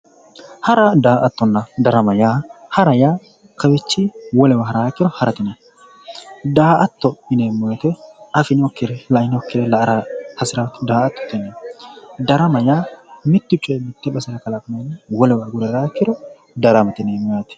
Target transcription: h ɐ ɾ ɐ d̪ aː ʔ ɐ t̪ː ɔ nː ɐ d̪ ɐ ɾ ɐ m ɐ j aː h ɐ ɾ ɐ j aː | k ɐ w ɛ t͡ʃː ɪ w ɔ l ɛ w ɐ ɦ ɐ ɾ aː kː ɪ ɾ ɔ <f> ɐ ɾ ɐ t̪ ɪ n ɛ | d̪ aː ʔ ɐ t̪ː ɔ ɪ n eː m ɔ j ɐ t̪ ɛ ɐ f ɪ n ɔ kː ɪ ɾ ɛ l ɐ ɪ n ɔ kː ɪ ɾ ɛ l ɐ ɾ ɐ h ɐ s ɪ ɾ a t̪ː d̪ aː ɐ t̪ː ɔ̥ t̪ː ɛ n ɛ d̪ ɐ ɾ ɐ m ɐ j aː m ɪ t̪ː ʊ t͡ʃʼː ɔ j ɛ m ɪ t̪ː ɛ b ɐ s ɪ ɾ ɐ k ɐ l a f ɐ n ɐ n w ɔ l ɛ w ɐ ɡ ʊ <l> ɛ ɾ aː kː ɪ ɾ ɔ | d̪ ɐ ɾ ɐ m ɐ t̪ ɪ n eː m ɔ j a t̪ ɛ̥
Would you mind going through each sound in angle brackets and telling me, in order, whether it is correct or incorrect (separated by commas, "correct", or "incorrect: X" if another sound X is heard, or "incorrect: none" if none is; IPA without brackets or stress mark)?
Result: incorrect: h, incorrect: ɾ